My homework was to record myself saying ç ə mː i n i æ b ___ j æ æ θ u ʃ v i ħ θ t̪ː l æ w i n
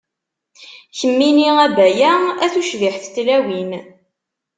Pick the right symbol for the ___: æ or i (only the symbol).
æ